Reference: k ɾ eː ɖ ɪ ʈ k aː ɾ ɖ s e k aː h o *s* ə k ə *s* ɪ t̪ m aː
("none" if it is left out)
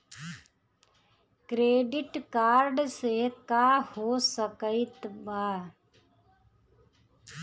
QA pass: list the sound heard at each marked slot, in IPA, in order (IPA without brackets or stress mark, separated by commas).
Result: s, none